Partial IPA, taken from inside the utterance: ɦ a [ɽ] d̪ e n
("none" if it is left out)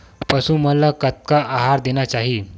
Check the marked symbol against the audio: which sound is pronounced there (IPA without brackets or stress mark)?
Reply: ɾ